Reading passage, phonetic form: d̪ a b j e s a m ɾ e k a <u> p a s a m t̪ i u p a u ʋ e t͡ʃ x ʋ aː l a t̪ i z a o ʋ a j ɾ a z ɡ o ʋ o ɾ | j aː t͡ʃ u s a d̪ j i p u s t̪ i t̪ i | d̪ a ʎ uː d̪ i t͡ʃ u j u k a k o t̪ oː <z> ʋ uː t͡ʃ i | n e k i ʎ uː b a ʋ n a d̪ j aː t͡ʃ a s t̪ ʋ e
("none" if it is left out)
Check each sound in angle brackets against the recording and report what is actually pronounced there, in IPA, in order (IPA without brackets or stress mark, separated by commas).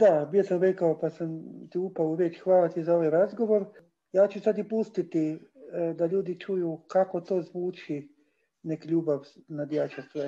o, z